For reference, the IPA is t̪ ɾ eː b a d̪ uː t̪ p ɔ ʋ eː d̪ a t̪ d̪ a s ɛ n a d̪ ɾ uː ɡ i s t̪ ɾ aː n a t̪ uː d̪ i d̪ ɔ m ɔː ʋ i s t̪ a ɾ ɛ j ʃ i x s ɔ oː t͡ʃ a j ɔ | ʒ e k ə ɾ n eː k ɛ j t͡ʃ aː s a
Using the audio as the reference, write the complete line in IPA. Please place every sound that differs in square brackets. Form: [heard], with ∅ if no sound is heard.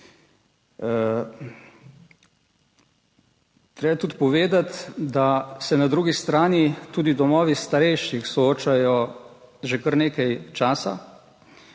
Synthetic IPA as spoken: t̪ ɾ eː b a [t̪] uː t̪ p ɔ ʋ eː d̪ a t̪ d̪ a s ɛ n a d̪ ɾ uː ɡ i s t̪ ɾ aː n [i] t̪ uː d̪ i d̪ ɔ m ɔː ʋ i s t̪ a ɾ ɛ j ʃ i x s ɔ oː t͡ʃ a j ɔ | ʒ e k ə ɾ n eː k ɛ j t͡ʃ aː s a